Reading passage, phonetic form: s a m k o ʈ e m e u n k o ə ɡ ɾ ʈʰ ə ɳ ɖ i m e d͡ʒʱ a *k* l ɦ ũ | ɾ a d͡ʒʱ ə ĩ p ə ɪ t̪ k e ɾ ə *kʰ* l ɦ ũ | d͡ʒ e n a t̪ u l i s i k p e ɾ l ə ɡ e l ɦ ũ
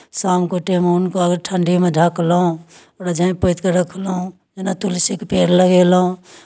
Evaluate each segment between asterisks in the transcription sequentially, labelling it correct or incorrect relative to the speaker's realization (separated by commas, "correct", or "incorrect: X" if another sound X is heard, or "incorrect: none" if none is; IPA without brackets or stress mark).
correct, correct